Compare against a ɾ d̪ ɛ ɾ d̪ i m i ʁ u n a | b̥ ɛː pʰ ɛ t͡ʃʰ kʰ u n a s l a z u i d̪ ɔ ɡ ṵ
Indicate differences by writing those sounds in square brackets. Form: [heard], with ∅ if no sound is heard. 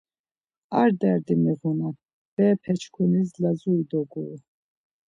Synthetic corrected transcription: a ɾ d̪ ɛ ɾ d̪ i m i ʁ u n a | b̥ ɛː pʰ ɛ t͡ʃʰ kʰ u n [i] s l a z u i d̪ ɔ ɡ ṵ

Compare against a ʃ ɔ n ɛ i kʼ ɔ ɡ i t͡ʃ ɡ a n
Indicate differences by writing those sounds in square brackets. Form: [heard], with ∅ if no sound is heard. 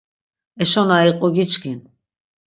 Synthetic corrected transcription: [ɛ] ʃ ɔ n [a] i [qʼ] ɔ ɡ i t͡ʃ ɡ [i] n

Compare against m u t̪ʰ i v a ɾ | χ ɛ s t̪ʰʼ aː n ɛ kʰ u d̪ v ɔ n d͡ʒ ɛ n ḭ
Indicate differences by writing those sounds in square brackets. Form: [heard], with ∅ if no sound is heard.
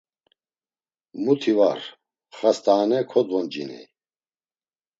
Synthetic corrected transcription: m u t̪ʰ i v a ɾ | χ [a] s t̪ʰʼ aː n ɛ kʰ [ɔ] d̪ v ɔ n d͡ʒ [i] n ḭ

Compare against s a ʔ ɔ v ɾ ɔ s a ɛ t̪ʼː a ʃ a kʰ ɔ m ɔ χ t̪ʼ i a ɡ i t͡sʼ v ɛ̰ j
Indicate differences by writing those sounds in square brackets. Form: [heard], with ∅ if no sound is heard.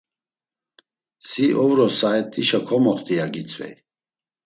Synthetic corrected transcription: s [i] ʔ ɔ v ɾ ɔ s a ɛ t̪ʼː [i] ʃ a kʰ ɔ m ɔ χ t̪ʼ i a ɡ i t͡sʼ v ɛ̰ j

